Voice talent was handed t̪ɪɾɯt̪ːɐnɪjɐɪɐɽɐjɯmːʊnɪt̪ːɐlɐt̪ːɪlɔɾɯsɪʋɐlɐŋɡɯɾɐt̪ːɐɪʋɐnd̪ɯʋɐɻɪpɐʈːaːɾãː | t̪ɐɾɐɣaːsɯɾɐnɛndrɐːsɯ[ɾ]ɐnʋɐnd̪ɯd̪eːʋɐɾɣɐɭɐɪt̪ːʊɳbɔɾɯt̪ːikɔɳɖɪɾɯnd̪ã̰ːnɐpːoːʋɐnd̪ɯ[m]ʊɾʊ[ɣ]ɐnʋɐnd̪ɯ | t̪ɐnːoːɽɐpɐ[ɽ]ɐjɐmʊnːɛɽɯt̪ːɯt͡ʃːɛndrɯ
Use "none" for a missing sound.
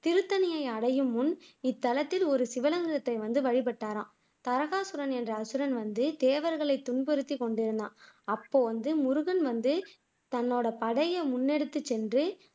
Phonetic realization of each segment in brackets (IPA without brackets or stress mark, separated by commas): ɾ, m, ɣ, ɽ